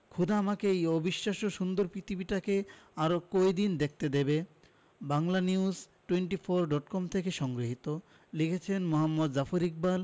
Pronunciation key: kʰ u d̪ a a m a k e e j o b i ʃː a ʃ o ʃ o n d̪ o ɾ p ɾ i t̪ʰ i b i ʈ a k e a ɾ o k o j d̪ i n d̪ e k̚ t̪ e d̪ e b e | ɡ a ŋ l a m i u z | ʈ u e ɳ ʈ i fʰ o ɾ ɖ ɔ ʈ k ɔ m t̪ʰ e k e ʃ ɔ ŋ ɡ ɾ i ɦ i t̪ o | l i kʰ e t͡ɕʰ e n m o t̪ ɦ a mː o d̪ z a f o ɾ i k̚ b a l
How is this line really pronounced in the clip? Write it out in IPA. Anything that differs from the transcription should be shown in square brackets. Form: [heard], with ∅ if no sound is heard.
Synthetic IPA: kʰ u d̪ a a m a k e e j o b i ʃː a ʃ o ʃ [u] n d̪ o ɾ p ɾ i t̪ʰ i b i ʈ a k e a ɾ o k o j d̪ i n d̪ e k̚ t̪ e d̪ e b e | [b] a ŋ l a [n] i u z | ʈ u e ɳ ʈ i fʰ o ɾ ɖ ɔ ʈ k ɔ m t̪ʰ e k e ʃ ɔ ŋ ɡ ɾ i ɦ i t̪ o | l i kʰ e t͡ɕʰ e n m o [∅] ɦ a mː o d̪ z a f o ɾ i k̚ b a l